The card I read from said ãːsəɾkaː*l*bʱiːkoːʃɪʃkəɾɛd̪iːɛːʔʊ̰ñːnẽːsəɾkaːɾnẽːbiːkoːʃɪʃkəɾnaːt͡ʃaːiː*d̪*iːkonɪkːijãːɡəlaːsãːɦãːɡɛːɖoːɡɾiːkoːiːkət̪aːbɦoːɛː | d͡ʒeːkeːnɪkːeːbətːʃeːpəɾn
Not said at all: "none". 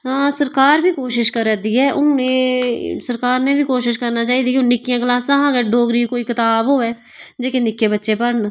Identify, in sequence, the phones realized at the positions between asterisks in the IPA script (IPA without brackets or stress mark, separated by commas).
ɾ, d̪